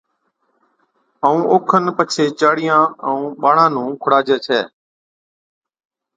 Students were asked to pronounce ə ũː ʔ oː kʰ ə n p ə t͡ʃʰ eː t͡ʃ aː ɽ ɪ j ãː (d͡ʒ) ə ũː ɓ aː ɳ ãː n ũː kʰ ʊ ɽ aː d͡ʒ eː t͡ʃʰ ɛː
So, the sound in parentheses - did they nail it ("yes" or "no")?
no